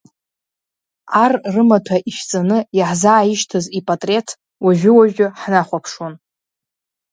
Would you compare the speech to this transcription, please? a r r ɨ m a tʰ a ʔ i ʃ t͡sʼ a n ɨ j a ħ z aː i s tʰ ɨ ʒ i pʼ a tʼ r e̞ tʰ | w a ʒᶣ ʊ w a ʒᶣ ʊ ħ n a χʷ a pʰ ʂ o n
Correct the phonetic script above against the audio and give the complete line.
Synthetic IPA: a r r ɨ m a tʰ a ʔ i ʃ t͡sʼ a n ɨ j a ħ z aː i ʃ tʰ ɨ z i pʼ a tʼ r e̞ tʰ | w a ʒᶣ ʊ w a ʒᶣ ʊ ħ n a χʷ a pʰ ʂ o n